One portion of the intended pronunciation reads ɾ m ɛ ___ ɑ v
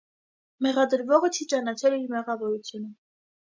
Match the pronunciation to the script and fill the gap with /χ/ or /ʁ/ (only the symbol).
ʁ